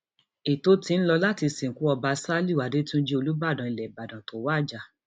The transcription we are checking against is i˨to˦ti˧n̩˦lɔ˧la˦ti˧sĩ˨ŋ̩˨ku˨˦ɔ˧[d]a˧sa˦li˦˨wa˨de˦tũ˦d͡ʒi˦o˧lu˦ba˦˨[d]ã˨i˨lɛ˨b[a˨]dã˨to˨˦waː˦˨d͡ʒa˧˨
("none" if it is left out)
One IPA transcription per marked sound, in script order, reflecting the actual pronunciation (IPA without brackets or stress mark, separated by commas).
b, d, a˨